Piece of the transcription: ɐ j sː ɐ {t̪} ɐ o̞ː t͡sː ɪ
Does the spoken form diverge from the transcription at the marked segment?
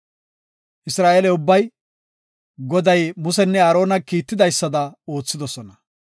yes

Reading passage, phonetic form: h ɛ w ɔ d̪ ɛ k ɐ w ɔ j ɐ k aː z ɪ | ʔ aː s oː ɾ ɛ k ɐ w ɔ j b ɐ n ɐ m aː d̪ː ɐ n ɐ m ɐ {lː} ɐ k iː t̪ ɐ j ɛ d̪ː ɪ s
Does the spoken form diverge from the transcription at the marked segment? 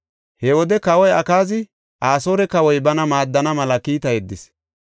yes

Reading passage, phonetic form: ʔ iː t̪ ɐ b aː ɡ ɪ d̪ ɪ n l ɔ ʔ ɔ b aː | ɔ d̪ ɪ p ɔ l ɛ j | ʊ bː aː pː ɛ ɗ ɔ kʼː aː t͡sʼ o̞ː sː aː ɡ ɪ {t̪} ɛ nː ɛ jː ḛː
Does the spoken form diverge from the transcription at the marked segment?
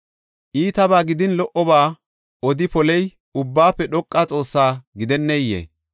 yes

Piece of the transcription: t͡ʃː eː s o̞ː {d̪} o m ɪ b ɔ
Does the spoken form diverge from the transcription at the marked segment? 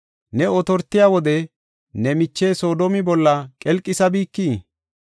no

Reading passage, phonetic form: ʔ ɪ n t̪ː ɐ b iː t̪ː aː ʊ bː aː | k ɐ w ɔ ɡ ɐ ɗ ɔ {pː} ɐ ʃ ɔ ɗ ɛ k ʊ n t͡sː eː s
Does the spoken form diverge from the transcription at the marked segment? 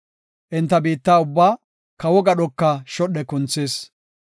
yes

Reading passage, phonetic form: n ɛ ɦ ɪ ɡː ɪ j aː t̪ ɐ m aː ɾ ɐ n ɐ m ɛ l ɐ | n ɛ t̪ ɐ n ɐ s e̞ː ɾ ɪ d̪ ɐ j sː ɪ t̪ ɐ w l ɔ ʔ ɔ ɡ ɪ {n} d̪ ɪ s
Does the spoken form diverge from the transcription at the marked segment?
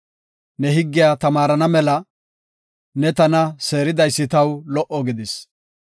yes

